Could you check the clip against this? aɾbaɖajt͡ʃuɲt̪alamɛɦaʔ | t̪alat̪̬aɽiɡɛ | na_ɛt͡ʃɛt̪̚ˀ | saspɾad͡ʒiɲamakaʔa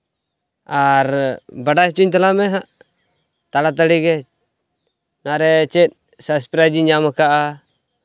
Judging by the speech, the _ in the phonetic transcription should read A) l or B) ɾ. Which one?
B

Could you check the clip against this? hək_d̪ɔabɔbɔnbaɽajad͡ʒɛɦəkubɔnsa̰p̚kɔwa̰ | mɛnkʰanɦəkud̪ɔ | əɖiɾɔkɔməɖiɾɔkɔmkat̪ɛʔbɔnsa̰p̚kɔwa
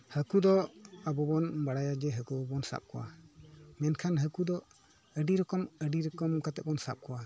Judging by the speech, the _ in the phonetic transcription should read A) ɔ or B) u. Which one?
B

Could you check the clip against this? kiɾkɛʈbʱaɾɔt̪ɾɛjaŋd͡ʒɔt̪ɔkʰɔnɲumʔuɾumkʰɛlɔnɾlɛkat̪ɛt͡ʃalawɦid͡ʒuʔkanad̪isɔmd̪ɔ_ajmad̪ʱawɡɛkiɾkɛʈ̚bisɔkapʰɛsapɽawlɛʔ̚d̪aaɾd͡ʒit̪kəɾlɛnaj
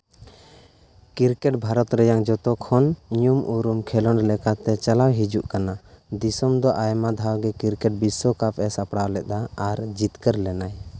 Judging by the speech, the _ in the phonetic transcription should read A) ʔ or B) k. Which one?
A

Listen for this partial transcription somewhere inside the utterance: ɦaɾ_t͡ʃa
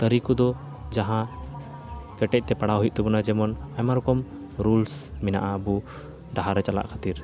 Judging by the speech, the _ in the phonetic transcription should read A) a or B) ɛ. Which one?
B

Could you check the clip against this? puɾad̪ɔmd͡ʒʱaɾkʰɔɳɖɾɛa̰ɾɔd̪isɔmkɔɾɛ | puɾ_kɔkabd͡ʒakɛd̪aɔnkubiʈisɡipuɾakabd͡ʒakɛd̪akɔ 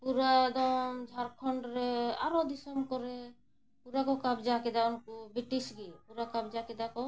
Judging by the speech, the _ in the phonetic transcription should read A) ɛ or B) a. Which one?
B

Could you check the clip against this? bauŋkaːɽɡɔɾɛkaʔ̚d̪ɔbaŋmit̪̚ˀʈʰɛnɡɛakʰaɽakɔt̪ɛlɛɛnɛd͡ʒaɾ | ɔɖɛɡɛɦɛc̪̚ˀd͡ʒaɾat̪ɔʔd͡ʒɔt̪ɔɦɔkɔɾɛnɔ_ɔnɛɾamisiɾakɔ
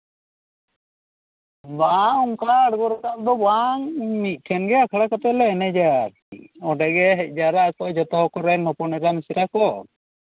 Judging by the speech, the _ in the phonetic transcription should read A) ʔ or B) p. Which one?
B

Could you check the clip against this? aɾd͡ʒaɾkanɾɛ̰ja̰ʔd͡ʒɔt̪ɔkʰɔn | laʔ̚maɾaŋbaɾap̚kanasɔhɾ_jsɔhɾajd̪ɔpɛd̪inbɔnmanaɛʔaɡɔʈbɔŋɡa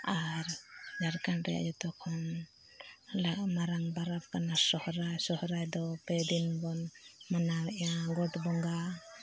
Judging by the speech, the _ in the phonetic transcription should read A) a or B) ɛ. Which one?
A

